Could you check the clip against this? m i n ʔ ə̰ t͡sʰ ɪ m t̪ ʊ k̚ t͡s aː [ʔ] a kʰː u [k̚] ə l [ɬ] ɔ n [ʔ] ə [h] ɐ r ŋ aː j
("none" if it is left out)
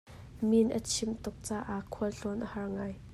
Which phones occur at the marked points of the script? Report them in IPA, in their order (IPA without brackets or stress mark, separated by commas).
ʔ, none, ɬ, ʔ, h